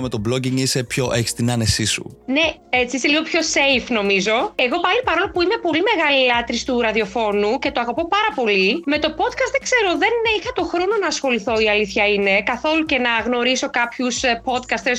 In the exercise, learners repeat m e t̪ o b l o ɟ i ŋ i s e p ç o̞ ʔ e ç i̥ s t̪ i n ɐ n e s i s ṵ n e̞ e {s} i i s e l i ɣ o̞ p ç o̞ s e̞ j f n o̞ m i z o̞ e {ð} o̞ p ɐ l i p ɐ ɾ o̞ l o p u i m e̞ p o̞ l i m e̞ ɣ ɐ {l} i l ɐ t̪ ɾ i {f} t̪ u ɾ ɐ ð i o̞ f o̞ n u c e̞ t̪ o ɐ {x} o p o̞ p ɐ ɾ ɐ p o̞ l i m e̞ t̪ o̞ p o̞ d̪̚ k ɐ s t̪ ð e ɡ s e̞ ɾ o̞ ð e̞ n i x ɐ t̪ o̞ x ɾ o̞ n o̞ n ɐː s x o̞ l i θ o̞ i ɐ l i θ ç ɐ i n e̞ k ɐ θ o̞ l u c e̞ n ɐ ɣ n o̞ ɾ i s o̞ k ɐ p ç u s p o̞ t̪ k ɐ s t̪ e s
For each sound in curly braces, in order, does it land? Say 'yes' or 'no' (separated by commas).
no, no, yes, no, no